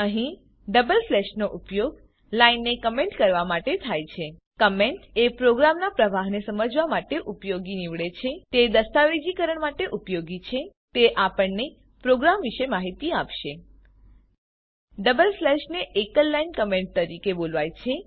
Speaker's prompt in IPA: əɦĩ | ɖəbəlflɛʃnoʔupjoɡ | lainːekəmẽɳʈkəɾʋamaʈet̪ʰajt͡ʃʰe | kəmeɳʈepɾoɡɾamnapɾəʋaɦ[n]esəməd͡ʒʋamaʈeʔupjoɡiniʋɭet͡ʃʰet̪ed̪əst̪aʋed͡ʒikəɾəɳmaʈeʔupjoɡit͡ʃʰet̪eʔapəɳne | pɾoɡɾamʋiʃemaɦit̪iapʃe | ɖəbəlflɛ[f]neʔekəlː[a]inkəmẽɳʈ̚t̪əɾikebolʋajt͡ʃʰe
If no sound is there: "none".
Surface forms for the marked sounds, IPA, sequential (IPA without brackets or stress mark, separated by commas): n, ʃ, a